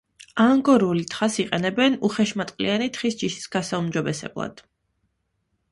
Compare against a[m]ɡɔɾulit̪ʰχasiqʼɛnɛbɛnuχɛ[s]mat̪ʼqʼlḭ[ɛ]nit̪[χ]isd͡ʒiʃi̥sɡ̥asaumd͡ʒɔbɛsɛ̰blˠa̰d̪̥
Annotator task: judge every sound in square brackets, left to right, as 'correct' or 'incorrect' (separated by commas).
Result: incorrect, incorrect, incorrect, correct